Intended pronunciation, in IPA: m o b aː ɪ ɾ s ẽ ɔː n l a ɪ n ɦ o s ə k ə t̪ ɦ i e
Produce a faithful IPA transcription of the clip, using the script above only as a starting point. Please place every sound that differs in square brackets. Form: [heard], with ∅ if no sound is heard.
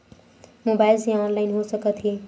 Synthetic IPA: m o b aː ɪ [l] s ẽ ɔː n l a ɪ n ɦ o s ə k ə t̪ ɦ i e